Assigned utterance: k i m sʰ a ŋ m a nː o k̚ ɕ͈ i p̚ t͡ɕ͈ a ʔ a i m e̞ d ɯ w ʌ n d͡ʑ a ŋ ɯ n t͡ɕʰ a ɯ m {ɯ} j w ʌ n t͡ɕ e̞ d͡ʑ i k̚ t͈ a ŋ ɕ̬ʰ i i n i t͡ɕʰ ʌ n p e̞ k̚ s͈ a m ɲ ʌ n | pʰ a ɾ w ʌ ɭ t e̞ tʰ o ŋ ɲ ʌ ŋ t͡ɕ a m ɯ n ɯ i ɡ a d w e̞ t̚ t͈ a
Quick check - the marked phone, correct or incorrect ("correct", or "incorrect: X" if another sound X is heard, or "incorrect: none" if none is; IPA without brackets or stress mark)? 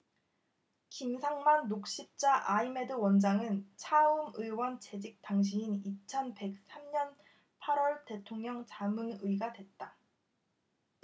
correct